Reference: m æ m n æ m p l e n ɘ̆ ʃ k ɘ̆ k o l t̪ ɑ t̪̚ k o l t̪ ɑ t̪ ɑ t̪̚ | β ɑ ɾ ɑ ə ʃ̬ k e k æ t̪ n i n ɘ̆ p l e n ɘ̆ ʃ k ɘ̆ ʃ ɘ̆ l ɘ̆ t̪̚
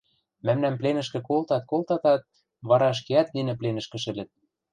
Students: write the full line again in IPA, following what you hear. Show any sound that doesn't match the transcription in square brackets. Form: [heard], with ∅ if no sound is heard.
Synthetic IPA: m æ m n æ m p l e n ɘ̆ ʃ k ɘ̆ k o l t̪ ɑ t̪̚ k o l t̪ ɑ t̪ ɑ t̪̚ | β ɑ ɾ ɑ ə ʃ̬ k e [∅] æ t̪ n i n ɘ̆ p l e n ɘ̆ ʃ k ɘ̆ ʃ ɘ̆ l ɘ̆ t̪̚